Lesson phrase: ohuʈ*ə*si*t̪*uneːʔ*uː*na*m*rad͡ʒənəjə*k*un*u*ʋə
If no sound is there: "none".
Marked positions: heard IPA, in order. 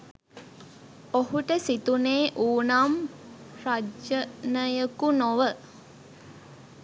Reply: ə, t̪, uː, m, k, o

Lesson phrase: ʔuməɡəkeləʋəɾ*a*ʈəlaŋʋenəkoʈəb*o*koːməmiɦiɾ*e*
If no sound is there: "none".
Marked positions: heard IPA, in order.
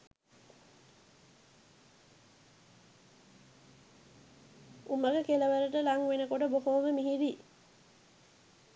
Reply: ə, o, i

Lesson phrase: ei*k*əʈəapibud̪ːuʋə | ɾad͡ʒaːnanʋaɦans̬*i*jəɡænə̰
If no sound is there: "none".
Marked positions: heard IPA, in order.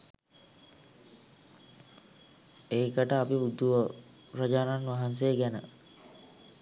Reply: k, e

